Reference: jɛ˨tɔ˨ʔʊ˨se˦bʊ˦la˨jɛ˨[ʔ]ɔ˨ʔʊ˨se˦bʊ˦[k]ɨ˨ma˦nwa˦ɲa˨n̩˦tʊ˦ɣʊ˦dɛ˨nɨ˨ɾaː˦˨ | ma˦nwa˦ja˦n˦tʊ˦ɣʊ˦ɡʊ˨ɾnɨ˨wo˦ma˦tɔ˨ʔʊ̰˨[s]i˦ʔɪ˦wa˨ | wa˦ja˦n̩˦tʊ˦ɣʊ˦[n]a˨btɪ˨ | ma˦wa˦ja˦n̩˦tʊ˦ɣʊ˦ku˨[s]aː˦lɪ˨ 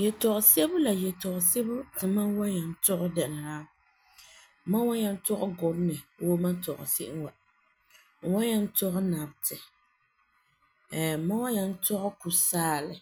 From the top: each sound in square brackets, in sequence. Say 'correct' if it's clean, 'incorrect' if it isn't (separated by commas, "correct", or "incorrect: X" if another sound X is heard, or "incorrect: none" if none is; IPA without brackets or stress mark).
incorrect: t, incorrect: t, correct, correct, correct